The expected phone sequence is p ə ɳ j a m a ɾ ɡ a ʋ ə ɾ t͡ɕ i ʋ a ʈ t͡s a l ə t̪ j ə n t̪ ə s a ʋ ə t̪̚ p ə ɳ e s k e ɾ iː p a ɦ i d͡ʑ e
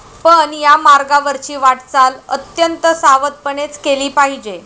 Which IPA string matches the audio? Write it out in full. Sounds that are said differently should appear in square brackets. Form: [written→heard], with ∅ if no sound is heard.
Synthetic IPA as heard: p ə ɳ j a m a ɾ ɡ a ʋ ə ɾ t͡ɕ [i→iː] ʋ a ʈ t͡s a l ə t̪ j ə n t̪ ə s a ʋ ə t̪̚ p ə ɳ e [s→t͡s] k e [ɾ→l] iː p a ɦ i d͡ʑ e